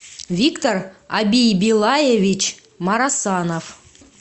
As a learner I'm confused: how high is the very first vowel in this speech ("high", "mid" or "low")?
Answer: high